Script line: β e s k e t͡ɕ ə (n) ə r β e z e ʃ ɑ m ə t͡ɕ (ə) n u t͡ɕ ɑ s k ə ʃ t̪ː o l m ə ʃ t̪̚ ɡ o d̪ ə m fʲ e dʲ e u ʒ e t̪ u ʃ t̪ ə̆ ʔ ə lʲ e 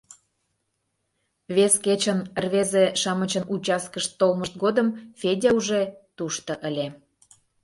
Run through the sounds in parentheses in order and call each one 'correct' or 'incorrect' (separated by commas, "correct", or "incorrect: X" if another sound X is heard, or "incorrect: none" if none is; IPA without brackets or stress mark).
correct, correct